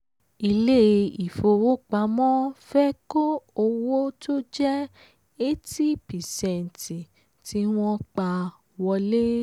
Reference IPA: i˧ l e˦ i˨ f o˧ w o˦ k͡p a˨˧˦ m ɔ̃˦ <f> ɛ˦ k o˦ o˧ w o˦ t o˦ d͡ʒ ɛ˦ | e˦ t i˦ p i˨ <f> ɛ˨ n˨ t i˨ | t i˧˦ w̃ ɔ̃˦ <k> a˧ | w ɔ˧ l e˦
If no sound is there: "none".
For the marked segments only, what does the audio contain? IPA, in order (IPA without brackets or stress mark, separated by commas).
f, s, k͡p